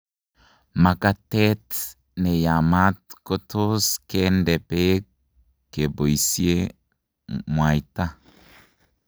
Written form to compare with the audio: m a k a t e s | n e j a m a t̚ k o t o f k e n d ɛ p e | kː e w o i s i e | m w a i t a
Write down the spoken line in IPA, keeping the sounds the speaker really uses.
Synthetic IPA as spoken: m a k a t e t | n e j a m a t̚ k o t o s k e n d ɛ p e | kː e b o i s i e | m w a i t a